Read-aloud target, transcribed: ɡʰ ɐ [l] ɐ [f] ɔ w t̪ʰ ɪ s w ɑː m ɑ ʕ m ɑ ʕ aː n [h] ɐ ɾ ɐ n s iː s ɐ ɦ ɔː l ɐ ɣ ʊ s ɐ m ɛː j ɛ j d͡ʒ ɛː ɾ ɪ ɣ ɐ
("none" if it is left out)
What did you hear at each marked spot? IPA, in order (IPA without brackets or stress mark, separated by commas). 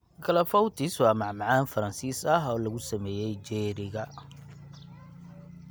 l, f, f